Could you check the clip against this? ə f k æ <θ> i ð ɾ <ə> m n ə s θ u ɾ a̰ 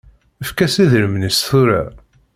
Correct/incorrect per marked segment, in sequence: incorrect, correct

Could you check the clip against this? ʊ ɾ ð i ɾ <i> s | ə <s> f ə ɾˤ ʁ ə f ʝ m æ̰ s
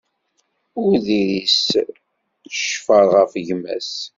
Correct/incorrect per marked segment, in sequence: correct, incorrect

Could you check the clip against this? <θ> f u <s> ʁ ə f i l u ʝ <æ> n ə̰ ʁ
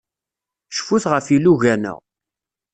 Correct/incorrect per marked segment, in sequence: incorrect, incorrect, correct

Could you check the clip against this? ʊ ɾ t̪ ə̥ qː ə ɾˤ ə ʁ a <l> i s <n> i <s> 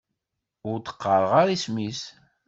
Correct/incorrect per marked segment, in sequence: incorrect, incorrect, correct

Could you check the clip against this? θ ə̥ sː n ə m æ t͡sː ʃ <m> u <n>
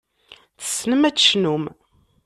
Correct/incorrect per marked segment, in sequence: incorrect, incorrect

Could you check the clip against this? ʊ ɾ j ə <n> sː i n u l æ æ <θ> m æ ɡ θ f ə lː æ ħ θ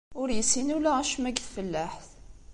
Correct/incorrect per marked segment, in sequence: incorrect, incorrect

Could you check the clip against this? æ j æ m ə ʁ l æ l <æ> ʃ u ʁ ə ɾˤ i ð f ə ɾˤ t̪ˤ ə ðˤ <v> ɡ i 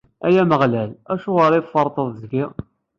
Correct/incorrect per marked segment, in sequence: correct, incorrect

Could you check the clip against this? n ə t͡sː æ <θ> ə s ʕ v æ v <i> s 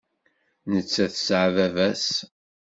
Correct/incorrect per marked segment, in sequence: correct, incorrect

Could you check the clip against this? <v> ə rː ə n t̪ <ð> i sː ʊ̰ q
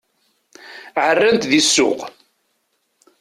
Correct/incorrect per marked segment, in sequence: incorrect, correct

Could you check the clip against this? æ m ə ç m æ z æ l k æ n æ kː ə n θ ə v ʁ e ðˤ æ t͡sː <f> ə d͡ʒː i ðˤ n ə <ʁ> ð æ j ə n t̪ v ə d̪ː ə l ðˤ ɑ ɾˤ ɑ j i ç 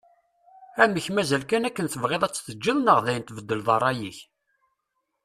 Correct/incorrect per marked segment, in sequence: incorrect, correct

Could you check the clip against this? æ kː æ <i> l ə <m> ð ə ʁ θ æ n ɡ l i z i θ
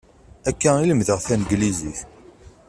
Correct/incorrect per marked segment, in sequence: correct, correct

